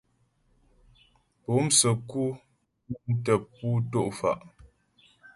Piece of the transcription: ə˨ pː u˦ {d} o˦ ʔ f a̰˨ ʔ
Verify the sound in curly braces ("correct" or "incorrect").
incorrect